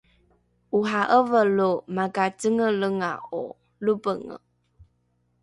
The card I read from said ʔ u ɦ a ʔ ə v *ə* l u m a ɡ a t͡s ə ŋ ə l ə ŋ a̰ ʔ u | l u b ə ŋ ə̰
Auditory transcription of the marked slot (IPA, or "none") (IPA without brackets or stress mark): ə